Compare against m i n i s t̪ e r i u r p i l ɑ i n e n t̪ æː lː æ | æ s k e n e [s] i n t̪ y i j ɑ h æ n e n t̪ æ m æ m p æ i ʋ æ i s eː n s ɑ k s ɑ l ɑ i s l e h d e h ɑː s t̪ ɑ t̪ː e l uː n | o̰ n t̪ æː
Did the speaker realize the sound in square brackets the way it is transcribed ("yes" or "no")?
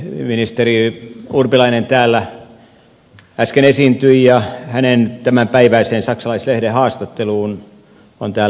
yes